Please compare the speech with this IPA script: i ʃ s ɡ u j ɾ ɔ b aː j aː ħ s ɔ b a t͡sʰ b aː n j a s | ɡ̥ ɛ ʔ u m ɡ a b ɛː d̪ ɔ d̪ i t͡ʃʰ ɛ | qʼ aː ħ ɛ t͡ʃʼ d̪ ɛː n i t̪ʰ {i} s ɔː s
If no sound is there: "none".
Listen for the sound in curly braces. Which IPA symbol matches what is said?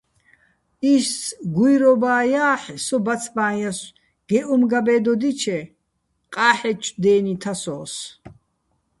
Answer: a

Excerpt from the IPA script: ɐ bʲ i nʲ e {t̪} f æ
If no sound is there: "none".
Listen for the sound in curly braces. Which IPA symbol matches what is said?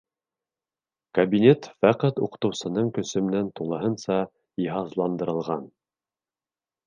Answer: t̪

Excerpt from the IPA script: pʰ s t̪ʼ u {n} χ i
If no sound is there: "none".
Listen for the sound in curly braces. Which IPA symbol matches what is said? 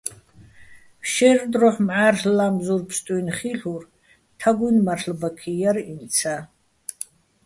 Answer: n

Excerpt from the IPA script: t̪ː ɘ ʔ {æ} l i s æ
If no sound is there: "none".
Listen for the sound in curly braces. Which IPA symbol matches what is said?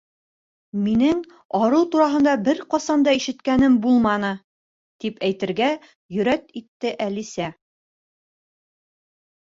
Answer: æ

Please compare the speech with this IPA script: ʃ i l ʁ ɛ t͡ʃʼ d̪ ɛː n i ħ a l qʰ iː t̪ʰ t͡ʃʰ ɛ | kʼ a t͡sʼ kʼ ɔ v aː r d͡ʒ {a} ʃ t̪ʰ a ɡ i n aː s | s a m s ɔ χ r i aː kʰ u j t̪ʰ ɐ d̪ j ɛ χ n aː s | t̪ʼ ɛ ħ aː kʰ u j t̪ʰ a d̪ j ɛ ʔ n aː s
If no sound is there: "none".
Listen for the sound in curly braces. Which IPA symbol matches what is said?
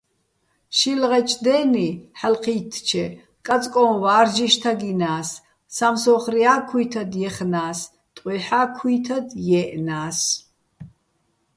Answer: i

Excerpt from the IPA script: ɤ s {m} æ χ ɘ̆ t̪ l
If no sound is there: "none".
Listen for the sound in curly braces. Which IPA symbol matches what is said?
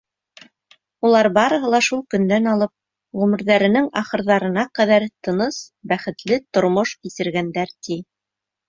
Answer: b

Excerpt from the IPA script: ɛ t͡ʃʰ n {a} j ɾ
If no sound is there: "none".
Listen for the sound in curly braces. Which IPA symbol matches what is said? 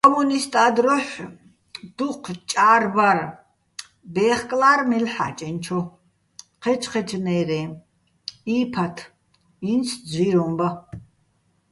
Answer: ɛ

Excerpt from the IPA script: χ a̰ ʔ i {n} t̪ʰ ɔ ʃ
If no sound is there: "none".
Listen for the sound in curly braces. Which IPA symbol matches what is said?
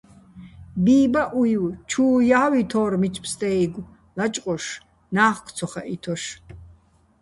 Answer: none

